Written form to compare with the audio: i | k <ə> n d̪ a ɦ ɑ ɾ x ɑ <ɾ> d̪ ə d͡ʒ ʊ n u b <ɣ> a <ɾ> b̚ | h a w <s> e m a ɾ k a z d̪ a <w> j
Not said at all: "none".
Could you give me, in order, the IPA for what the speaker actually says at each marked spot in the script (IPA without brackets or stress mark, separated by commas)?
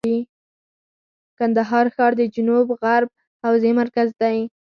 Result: a, ɾ, ɣ, ɾ, z, none